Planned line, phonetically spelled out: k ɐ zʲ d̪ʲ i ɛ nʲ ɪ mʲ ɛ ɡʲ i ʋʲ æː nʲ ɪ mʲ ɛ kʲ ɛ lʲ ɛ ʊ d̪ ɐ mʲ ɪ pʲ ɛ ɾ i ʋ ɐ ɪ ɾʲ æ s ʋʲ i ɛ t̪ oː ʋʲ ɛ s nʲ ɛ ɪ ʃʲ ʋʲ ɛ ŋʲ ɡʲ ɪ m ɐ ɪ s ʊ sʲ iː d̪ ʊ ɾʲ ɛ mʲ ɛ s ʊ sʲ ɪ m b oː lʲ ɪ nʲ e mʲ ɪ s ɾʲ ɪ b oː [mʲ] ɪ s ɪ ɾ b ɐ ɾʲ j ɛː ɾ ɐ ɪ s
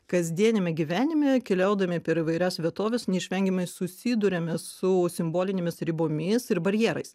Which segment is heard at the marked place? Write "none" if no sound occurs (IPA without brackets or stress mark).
mʲ